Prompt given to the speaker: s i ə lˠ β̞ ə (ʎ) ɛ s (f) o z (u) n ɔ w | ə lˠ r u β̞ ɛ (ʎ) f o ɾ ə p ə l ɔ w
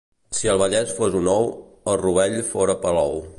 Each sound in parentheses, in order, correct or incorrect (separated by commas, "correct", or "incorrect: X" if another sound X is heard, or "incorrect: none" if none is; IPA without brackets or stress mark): correct, correct, correct, correct